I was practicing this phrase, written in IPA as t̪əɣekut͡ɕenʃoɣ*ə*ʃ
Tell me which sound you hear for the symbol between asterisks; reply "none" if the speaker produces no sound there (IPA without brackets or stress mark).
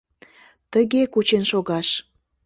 ɑ